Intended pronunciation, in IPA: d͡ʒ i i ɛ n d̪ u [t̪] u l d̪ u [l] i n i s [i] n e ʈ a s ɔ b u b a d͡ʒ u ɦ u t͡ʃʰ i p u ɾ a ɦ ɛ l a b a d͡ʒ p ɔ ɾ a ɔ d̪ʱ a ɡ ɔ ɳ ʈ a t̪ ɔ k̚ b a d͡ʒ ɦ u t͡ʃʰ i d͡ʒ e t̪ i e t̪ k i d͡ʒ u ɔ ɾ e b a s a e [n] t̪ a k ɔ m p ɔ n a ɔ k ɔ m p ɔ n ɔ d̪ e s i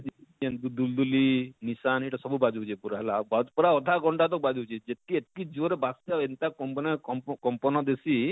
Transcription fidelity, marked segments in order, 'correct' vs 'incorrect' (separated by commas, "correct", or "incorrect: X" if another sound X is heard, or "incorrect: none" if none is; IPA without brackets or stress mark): incorrect: d̪, correct, incorrect: a, correct